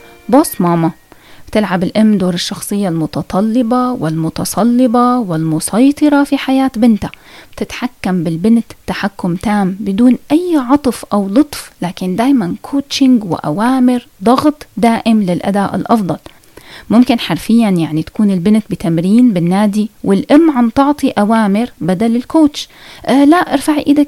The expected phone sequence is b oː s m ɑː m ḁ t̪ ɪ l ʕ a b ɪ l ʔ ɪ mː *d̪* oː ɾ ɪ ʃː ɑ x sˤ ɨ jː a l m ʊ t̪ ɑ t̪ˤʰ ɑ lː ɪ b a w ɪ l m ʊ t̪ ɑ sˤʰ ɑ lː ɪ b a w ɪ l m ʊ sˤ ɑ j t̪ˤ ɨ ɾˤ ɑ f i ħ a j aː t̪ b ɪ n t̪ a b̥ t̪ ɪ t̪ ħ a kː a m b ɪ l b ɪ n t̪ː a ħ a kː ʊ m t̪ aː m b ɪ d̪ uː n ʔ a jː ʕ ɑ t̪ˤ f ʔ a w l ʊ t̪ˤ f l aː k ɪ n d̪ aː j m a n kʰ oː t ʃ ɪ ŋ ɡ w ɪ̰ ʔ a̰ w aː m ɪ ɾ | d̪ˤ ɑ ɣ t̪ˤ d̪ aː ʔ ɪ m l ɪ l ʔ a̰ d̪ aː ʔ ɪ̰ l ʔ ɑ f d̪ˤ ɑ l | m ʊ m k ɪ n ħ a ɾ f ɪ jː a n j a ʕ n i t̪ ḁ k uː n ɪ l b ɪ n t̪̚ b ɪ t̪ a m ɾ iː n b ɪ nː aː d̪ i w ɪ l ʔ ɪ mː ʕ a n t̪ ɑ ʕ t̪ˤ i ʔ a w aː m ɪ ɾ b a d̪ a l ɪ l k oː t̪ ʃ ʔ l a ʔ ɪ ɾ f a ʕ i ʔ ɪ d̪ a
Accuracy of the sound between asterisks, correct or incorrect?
correct